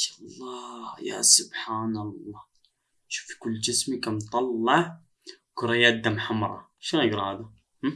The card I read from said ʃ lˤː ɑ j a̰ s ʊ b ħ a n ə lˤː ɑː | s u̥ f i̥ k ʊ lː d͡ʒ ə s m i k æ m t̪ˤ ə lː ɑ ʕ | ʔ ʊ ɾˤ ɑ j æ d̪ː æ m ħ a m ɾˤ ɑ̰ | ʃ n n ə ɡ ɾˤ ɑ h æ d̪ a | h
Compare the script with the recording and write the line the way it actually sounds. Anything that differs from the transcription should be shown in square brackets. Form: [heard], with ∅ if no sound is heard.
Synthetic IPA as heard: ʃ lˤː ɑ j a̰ s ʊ b ħ a n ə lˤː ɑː | [ʃ] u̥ f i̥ k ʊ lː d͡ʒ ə s m i k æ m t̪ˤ [ɑ] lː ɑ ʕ | [k] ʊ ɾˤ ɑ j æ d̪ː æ m ħ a m ɾˤ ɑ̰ | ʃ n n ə ɡ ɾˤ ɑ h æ d̪ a | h